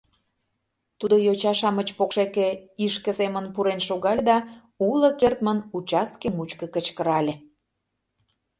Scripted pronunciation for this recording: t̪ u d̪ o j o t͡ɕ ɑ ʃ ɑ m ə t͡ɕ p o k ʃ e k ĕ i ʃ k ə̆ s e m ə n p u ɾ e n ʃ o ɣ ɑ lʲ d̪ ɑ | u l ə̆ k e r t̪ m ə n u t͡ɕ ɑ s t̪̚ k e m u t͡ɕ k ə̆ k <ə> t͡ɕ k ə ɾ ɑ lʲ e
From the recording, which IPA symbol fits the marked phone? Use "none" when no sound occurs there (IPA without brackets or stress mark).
ə